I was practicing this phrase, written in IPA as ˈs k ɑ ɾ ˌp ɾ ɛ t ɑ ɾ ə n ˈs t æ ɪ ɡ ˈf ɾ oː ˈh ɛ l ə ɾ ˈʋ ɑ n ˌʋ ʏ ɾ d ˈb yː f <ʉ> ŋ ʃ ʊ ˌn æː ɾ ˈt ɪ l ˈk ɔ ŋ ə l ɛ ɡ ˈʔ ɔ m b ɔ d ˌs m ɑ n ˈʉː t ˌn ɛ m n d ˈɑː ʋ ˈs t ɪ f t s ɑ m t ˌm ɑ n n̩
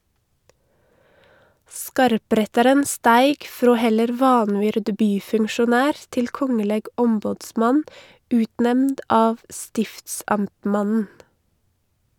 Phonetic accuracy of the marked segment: correct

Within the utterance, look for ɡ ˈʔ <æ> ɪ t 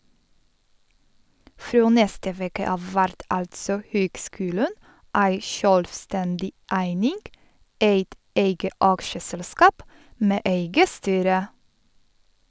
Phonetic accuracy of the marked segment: incorrect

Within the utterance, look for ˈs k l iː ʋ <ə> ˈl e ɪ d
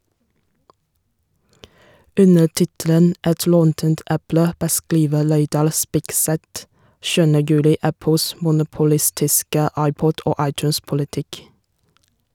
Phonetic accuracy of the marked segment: correct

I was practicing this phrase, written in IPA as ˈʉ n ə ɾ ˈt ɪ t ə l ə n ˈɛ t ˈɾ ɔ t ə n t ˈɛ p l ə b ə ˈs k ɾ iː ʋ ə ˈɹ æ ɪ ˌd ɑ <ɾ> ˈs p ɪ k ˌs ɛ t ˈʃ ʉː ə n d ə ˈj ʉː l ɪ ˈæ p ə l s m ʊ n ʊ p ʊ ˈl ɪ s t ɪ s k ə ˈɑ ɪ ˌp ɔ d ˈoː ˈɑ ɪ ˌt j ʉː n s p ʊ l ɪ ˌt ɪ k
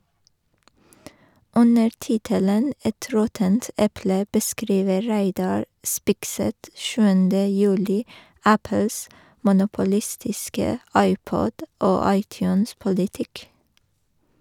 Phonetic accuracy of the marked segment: incorrect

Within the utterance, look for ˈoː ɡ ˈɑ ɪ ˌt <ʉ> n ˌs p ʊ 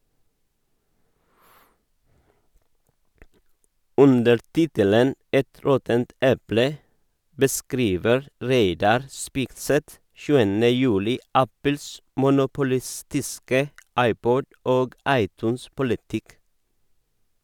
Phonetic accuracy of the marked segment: incorrect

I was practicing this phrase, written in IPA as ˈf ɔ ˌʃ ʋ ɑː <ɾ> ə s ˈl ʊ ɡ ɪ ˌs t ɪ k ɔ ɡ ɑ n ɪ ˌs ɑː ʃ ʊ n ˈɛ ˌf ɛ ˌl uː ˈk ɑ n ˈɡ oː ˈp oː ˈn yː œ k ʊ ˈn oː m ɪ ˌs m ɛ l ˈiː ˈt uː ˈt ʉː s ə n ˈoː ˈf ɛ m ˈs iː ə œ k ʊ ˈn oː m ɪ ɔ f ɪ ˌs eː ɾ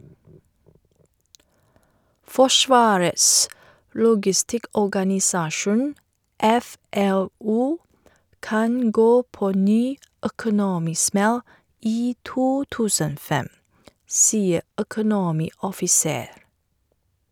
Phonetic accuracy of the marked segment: correct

